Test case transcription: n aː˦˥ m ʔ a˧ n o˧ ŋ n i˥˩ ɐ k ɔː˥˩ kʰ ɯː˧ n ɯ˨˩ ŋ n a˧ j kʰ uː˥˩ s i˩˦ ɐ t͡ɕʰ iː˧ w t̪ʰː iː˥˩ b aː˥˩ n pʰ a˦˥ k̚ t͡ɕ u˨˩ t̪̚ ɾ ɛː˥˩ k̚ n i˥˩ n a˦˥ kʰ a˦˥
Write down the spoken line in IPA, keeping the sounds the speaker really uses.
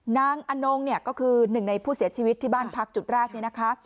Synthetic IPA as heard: n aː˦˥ ŋ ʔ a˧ n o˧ ŋ n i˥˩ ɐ k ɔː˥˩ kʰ ɯː˧ n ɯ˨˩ ŋ n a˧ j pʰ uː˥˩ s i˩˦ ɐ t͡ɕʰ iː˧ w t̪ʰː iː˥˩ b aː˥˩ n pʰ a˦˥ k̚ t͡ɕ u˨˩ t̪̚ ɾ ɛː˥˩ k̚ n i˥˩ n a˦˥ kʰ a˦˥